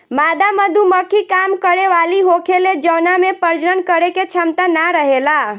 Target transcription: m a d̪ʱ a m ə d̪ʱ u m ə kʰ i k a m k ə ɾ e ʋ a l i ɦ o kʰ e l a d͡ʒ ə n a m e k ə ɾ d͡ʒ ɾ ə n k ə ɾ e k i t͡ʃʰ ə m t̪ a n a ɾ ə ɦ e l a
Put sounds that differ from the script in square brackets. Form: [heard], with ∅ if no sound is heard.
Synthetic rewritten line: m a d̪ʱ a m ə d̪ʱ u m ə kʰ i k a m k ə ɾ e ʋ a l i ɦ o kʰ e l [e] d͡ʒ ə n a m e [p] ə ɾ d͡ʒ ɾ ə n k ə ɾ e k [e] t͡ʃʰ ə m t̪ a n a ɾ ə ɦ e l a

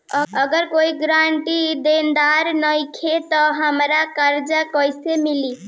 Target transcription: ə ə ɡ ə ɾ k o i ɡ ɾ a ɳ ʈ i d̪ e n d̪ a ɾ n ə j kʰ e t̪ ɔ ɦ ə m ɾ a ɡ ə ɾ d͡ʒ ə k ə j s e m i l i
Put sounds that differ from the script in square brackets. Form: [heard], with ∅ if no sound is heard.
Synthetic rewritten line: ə ə ɡ ə ɾ k o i ɡ ɾ a ɳ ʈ i d̪ e n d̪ a ɾ n ə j kʰ e t̪ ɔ ɦ ə m ɾ a [k] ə ɾ d͡ʒ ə k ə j s e m i l i

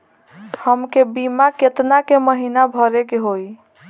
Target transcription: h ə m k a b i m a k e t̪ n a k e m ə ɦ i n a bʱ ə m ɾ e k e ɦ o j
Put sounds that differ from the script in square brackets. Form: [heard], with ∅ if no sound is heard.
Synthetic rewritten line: h ə m k [e] b i m a k e t̪ n a k e m ə ɦ i n a bʱ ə [∅] ɾ e k e ɦ o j

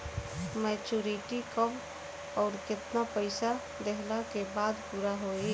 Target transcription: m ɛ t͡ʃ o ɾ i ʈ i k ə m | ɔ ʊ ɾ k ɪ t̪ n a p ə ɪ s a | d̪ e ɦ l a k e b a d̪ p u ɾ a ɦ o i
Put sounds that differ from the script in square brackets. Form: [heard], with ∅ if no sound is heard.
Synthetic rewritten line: m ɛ t͡ʃ [u] ɾ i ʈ i k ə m | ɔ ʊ ɾ k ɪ t̪ n a p ə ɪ s a | d̪ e ɦ l a k e b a d̪ p u ɾ a ɦ o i

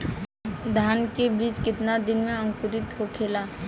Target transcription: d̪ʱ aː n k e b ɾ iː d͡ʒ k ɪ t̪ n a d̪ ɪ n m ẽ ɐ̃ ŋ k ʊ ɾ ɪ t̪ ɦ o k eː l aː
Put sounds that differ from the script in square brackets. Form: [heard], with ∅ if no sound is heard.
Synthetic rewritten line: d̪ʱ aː n k e b ɾ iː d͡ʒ k ɪ t̪ n a d̪ ɪ n m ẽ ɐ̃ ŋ k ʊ ɾ ɪ t̪ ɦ o [kʰ] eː l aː

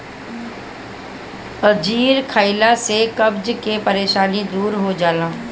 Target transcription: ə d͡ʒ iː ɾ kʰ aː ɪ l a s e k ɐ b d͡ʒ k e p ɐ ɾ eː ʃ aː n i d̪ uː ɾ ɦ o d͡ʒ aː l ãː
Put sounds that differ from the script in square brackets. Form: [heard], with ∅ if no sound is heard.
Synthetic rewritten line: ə d͡ʒ iː ɾ kʰ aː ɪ l a s e k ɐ b d͡ʒ k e p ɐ ɾ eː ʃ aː n i d̪ uː ɾ ɦ o d͡ʒ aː l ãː

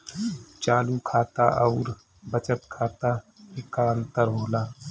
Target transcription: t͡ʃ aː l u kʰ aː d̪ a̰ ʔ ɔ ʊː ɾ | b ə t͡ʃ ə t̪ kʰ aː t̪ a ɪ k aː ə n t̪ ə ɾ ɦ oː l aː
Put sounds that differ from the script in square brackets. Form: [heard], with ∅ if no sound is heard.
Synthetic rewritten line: t͡ʃ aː l u kʰ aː [t̪] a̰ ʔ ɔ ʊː ɾ | b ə t͡ʃ ə t̪ kʰ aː t̪ a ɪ k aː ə n t̪ ə ɾ ɦ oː l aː

